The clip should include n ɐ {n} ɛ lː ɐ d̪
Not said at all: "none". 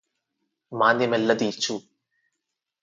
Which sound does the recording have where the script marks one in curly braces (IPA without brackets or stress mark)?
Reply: m